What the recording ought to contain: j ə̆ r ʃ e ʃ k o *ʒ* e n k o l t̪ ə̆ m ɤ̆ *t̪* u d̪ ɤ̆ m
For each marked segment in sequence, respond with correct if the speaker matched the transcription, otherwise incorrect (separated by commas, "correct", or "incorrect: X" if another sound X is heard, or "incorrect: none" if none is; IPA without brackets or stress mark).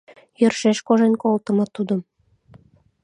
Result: correct, correct